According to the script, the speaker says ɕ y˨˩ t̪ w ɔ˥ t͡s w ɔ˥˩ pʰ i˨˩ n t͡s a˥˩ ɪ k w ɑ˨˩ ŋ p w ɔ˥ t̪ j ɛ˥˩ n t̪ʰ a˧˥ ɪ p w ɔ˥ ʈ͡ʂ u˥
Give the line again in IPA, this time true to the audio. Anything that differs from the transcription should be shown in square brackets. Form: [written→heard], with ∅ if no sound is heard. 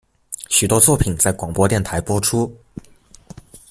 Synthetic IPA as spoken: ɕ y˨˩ t̪ w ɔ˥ t͡s w ɔ˥˩ pʰ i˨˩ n t͡s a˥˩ ɪ k w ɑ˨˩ ŋ p w ɔ˥ t̪ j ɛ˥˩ n t̪ʰ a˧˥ ɪ p w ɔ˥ [ʈ͡ʂ→ʈ͡ʂʰ] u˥